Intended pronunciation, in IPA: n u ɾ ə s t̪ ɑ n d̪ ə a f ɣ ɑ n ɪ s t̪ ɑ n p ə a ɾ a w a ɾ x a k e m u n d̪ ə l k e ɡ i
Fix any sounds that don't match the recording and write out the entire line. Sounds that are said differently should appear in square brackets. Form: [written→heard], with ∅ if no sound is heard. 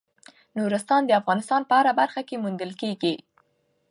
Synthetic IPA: n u ɾ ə s t̪ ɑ n d̪ ə a f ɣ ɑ n ɪ s t̪ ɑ n p ə a ɾ a [w→b] a ɾ x a k e m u n d̪ ə l k e ɡ i